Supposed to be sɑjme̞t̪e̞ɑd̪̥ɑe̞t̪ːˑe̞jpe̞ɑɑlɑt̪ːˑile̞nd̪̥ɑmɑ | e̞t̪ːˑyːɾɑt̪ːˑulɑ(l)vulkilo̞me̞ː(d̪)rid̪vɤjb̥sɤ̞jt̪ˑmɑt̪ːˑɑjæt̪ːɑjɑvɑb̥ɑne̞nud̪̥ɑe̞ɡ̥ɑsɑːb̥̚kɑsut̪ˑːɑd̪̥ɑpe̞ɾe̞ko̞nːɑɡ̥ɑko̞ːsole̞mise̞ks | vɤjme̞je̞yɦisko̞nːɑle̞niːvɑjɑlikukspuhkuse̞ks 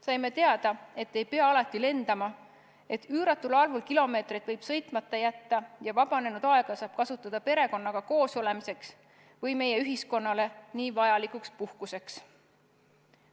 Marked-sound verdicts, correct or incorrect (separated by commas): correct, incorrect